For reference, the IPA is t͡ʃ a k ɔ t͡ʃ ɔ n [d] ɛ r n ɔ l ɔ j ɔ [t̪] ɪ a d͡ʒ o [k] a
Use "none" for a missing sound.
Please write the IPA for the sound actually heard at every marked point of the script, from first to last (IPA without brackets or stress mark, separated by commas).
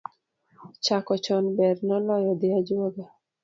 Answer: b, d̪, ɡ